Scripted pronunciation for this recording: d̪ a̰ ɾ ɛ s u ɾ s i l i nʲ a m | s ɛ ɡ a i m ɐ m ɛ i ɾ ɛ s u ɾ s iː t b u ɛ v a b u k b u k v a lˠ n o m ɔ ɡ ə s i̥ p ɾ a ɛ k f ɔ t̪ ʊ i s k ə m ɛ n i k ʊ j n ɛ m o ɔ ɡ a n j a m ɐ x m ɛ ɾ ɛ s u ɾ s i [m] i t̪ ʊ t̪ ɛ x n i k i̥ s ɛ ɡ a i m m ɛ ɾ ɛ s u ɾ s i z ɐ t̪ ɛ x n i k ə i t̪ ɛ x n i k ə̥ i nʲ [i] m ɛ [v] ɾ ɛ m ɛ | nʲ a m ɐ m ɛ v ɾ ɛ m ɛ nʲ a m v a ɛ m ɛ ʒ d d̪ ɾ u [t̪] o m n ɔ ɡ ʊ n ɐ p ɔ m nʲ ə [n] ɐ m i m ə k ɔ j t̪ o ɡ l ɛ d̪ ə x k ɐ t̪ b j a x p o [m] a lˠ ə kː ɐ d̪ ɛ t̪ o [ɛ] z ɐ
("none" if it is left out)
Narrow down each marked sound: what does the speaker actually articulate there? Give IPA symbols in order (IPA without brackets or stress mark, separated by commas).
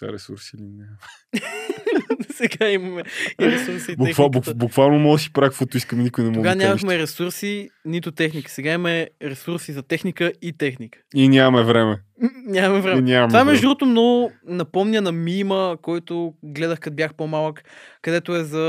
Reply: n, a, v, t̪, n, m, ɛ